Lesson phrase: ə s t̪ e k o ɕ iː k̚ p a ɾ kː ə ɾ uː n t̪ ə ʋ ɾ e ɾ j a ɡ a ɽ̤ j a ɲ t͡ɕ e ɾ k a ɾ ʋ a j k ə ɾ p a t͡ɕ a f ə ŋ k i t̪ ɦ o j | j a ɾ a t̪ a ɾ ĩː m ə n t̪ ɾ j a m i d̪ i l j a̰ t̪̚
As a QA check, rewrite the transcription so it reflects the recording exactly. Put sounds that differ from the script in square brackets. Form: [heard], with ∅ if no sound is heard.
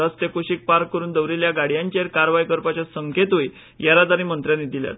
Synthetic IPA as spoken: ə s t̪ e k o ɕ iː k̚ p a ɾ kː ə ɾ uː n [d̪] ə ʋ ɾ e [l] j a ɡ a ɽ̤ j a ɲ t͡ɕ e ɾ k a ɾ ʋ a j k ə ɾ p a t͡ɕ a [s] ə ŋ k [e] t̪ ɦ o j | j a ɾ a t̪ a ɾ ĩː m ə n t̪ ɾ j a [n] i d̪ i l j a̰ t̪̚